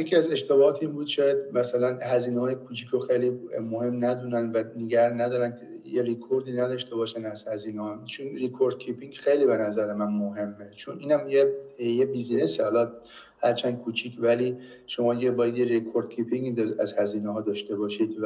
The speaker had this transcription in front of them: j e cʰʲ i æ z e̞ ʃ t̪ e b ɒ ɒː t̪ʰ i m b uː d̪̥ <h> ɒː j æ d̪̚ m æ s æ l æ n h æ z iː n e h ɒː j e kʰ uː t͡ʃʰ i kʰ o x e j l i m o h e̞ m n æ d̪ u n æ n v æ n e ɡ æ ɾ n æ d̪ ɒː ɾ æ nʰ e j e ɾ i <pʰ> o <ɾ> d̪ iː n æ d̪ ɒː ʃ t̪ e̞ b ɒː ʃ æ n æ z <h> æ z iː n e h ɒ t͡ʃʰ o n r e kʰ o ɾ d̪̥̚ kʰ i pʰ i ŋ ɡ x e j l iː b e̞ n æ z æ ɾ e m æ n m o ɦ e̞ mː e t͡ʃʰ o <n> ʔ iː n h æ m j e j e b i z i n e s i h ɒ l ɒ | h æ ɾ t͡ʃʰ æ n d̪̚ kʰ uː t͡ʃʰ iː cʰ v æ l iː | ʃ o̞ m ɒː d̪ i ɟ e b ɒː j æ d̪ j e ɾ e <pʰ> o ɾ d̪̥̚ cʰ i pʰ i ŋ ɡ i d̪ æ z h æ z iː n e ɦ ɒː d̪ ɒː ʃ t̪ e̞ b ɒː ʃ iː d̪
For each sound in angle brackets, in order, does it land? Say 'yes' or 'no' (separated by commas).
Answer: no, no, yes, yes, yes, no